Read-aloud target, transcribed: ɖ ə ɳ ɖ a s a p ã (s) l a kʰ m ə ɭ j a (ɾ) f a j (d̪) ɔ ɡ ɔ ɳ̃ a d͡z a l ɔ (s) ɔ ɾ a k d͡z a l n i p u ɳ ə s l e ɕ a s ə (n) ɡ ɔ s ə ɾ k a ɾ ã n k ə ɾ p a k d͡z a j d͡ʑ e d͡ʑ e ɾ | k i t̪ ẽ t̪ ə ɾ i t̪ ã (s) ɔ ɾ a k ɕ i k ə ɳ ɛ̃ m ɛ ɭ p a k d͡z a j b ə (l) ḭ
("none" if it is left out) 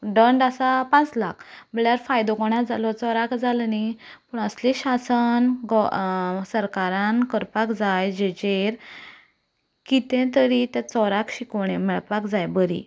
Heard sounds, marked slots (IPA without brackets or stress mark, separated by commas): t͡s, ɾ, d̪, t͡s, n, t͡s, ɾ